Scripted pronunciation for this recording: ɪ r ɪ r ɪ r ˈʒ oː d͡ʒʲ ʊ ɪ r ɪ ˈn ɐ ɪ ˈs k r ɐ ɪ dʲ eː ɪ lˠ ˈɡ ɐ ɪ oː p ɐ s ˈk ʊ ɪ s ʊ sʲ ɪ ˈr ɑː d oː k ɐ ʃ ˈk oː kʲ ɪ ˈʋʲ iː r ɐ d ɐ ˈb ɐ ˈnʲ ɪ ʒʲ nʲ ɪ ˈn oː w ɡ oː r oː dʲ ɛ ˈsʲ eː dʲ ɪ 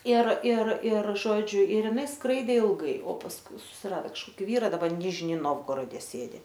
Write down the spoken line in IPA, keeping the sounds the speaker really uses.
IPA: ɪ r ɪ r ɪ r ˈʒ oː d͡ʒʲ ʊ ɪ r ɪ ˈn ɐ ɪ ˈs k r ɐ ɪ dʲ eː ɪ lˠ ˈɡ ɐ ɪ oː p ɐ s ˈk ʊ ɪ s ʊ sʲ ɪ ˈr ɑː d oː k ɐ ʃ ˈk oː kʲ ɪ ˈʋʲ iː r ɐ d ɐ ˈb ɐ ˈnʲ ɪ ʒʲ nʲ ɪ ˈn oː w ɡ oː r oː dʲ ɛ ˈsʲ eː dʲ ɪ